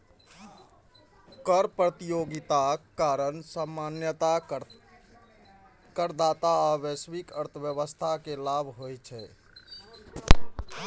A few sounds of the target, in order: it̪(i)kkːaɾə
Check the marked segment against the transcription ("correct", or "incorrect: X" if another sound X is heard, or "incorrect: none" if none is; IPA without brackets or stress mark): incorrect: a